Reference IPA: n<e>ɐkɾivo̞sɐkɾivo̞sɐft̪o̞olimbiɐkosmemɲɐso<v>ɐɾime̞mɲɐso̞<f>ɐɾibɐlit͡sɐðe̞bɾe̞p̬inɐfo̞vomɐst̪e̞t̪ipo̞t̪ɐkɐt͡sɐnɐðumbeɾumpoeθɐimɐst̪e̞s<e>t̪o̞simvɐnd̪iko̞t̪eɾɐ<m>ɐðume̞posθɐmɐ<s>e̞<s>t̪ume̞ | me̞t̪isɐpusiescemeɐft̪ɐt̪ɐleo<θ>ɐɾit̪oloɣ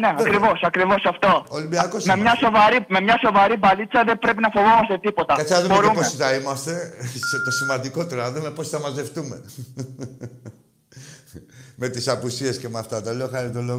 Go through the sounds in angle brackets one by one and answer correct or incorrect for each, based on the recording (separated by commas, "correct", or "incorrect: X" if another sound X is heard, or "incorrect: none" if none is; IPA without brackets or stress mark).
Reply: correct, correct, incorrect: v, correct, incorrect: n, incorrect: z, incorrect: f, incorrect: x